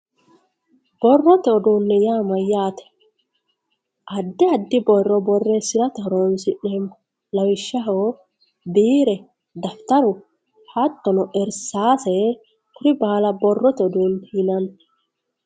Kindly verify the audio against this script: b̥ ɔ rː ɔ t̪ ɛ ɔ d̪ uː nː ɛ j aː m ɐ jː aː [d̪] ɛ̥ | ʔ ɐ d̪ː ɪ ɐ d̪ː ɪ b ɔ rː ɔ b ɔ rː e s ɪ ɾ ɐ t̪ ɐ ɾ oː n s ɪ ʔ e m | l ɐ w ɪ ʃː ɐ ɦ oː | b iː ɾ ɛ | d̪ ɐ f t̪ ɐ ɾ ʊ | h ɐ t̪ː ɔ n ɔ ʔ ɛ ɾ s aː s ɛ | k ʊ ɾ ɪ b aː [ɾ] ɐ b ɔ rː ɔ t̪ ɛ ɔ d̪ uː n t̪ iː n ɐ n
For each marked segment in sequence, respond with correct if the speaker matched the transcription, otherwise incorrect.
incorrect: t̪, incorrect: l

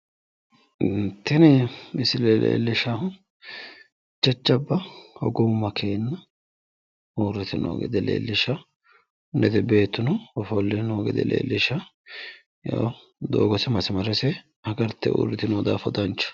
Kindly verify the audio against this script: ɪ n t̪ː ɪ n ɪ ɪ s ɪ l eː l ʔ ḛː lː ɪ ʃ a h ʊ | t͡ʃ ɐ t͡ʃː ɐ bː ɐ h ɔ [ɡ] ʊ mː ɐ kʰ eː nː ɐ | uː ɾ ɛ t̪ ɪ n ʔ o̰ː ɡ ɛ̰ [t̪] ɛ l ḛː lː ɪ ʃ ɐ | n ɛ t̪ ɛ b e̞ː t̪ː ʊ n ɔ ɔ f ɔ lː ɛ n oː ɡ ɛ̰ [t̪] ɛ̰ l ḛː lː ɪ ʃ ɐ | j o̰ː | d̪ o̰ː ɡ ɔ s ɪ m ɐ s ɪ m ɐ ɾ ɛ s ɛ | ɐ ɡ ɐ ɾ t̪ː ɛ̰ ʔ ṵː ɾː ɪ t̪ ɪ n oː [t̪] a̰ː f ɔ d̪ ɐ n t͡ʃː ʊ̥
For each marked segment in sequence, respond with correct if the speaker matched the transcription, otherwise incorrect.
correct, incorrect: d̪, incorrect: d̪, incorrect: d̪

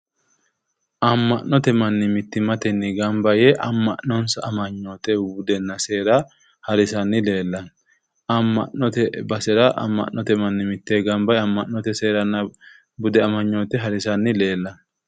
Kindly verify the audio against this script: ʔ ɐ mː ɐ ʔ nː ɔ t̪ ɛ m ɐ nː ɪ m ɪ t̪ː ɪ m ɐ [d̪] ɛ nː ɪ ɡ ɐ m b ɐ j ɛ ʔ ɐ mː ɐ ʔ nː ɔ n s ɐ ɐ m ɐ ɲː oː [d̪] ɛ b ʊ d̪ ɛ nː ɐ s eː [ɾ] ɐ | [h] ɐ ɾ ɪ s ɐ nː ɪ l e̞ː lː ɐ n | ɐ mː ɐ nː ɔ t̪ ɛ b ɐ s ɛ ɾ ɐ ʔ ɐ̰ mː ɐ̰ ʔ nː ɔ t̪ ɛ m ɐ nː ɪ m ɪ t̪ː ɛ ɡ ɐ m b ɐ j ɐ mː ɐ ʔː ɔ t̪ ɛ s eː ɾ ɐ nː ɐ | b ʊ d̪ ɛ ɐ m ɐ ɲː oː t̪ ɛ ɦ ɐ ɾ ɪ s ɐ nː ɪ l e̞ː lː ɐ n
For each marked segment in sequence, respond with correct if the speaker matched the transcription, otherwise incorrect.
incorrect: t̪, incorrect: t̪, correct, correct

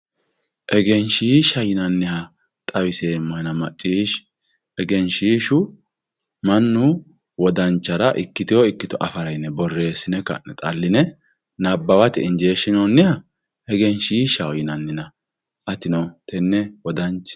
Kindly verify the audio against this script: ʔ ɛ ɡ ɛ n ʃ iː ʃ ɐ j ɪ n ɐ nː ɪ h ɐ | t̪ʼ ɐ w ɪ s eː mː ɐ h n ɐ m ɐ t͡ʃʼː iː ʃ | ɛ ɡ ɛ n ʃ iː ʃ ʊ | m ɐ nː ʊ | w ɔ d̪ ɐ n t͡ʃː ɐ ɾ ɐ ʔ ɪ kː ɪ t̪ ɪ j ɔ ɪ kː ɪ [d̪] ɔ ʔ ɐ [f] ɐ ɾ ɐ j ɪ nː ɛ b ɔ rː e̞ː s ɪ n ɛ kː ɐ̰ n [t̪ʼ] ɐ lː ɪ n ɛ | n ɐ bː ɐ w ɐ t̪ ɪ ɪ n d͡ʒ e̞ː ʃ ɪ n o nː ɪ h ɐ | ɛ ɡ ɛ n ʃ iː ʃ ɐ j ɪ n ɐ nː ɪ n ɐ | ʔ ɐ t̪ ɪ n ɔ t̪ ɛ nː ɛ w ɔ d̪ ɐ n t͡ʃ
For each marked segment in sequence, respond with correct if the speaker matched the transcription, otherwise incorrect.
incorrect: t̪, correct, correct

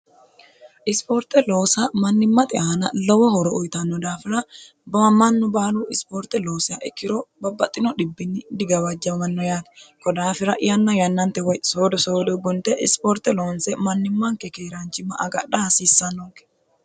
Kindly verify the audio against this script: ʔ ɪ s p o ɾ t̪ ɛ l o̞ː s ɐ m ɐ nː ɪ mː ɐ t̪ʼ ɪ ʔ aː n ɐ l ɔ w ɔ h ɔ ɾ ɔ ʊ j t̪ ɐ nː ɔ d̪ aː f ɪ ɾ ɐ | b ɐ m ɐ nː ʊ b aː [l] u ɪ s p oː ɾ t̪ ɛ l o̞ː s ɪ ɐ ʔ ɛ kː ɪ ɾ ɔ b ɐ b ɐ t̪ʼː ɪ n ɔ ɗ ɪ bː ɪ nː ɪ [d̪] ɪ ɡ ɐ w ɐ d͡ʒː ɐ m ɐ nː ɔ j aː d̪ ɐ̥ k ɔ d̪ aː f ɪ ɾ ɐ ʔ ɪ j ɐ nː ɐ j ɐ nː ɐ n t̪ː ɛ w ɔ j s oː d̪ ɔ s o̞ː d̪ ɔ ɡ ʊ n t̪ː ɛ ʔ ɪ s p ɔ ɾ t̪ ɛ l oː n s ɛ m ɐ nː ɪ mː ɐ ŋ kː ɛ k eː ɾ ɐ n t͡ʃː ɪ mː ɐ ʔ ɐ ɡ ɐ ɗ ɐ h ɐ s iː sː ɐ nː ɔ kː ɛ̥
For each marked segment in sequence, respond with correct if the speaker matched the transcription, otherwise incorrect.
correct, correct

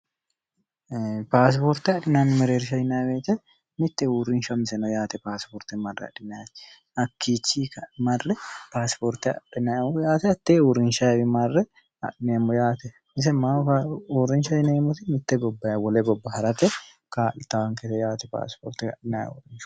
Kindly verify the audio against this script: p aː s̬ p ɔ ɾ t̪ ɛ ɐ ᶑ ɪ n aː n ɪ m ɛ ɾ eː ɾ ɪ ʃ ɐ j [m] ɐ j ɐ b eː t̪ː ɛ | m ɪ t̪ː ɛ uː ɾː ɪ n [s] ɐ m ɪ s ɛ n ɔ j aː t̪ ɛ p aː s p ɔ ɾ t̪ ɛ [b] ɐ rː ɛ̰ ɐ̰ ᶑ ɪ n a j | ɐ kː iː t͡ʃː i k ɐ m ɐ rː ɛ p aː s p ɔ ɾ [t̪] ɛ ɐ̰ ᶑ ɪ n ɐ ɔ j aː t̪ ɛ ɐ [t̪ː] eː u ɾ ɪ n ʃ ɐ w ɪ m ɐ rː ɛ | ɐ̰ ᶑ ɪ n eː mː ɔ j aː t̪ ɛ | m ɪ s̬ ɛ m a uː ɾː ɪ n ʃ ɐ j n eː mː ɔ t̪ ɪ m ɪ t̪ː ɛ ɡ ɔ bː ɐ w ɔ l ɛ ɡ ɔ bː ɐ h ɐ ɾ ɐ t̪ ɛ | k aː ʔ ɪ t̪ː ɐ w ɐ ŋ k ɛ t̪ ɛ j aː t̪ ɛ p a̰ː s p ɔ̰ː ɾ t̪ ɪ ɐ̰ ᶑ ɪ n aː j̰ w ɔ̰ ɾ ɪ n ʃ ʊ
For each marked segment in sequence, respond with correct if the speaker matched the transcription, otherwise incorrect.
incorrect: n, incorrect: ʃ, incorrect: m, correct, correct

